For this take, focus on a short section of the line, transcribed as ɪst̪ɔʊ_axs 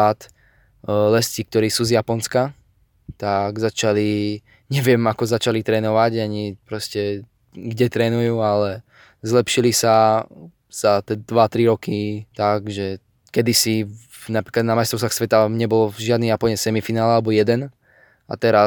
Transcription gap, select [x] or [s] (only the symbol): s